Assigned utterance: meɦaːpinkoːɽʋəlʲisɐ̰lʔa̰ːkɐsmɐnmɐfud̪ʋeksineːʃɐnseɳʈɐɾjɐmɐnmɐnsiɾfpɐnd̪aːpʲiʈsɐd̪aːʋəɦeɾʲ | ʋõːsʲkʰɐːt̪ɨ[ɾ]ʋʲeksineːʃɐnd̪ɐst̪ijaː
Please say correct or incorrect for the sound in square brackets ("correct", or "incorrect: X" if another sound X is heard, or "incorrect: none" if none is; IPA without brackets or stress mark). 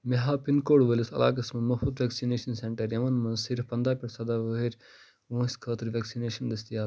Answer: correct